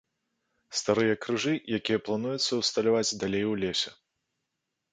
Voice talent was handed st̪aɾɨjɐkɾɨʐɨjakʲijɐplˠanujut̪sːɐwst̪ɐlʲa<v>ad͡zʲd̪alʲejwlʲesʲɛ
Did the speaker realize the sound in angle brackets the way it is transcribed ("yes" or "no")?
yes